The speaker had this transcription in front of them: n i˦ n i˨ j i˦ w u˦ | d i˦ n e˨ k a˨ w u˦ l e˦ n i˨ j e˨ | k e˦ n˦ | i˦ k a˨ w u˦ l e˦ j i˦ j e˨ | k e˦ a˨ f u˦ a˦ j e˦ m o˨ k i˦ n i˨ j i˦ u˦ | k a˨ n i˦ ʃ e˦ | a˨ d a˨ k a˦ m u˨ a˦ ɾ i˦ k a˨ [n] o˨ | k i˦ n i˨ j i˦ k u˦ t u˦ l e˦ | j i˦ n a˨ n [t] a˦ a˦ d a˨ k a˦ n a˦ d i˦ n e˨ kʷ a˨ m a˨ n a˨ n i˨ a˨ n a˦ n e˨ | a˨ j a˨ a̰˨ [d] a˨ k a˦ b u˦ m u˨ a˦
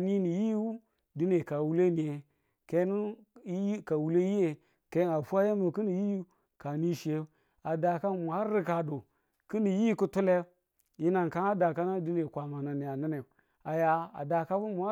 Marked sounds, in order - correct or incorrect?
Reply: incorrect: d, incorrect: k, correct

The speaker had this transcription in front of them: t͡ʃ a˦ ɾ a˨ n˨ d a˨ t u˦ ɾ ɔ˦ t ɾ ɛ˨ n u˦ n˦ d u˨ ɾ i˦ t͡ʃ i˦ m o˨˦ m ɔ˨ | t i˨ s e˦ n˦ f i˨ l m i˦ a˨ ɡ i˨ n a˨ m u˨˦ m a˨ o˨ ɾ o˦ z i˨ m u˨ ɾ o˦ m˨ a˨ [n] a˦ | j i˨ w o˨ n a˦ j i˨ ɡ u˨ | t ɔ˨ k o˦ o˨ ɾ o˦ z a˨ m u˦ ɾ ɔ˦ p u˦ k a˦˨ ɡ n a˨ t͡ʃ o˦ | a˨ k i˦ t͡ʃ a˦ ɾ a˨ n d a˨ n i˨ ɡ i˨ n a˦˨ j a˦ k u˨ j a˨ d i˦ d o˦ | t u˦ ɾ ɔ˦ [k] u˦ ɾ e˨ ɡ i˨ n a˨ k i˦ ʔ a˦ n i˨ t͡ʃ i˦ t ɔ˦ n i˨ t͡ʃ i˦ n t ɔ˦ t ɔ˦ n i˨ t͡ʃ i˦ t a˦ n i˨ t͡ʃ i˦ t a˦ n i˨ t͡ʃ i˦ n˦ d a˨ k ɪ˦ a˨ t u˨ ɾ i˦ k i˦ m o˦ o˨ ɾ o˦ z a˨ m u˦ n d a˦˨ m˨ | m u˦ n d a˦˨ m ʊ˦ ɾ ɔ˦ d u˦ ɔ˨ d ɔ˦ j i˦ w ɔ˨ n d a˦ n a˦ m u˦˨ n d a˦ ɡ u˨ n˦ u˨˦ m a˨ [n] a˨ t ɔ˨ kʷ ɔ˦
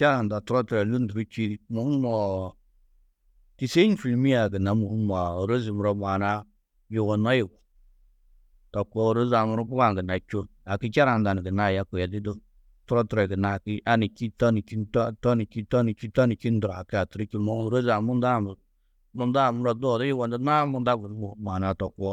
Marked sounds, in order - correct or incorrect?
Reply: correct, incorrect: t, correct

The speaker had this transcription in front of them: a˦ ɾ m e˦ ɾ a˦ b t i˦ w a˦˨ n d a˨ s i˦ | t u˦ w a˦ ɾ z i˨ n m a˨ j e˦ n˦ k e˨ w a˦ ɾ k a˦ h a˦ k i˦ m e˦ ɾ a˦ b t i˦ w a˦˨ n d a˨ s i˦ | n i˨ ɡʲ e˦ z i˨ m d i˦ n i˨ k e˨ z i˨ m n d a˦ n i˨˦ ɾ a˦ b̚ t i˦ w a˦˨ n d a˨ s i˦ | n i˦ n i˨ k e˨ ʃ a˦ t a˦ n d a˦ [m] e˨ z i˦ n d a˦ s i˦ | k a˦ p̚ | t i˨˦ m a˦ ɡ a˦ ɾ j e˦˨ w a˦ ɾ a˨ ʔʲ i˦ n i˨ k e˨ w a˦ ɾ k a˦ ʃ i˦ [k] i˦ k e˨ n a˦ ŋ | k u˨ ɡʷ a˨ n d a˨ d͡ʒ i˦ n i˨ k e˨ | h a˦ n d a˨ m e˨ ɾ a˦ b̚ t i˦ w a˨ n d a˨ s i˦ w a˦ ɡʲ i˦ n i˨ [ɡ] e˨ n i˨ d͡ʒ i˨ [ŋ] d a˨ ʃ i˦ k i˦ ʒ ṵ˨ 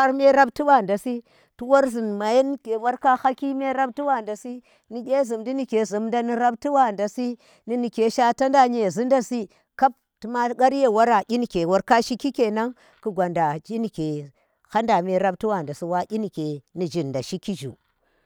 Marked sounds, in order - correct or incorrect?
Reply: incorrect: ɲ, correct, incorrect: k, incorrect: n

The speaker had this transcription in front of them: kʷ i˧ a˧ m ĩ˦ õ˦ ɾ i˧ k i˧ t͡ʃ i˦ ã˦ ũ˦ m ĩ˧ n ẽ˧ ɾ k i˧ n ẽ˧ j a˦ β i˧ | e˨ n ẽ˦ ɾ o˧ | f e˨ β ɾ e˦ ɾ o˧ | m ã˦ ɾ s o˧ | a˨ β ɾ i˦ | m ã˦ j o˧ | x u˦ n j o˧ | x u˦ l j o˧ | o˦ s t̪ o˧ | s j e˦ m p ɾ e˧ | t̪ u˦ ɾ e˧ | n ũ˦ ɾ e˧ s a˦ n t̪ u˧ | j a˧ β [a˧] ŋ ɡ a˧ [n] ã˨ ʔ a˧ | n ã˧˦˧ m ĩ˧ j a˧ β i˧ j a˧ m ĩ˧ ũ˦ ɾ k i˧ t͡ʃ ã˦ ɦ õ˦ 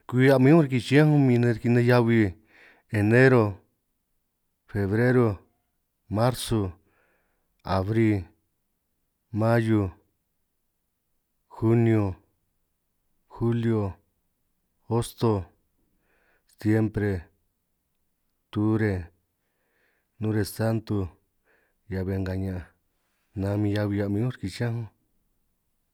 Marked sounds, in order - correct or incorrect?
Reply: incorrect: e˧, incorrect: ɲ

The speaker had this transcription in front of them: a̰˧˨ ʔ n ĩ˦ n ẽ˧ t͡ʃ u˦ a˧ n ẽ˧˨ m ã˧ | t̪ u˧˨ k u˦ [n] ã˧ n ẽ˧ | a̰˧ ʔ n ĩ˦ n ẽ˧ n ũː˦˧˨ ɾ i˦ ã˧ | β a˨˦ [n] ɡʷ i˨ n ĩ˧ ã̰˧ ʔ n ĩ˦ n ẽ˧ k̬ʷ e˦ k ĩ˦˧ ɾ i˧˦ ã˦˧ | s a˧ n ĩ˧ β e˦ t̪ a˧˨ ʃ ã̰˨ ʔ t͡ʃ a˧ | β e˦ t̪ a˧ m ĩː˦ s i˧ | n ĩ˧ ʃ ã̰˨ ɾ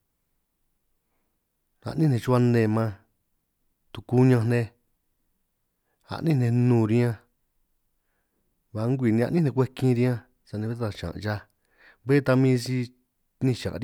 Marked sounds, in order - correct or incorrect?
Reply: incorrect: ɲ, incorrect: ŋ

